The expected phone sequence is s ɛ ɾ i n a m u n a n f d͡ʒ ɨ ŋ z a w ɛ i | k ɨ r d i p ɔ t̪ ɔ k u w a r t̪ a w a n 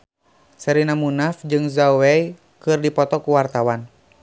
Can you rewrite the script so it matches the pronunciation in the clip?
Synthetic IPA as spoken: s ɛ ɾ i n a m u n a f d͡ʒ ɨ ŋ z a w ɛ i | k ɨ r d i p ɔ t̪ ɔ k u w a r t̪ a w a n